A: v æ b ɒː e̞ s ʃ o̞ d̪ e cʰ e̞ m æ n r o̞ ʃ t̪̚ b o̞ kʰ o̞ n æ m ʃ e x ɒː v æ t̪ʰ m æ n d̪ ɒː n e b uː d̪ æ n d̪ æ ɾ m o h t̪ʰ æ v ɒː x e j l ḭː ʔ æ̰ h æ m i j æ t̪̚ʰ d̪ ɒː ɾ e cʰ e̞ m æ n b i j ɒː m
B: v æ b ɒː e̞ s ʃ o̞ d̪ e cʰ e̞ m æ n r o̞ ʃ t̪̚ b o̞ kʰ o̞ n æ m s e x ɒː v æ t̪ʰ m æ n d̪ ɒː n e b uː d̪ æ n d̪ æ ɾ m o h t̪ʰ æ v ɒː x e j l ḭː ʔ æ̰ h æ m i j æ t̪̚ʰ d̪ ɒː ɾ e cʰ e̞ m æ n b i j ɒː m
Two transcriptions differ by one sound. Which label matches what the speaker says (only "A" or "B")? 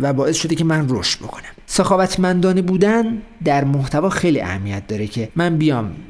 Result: B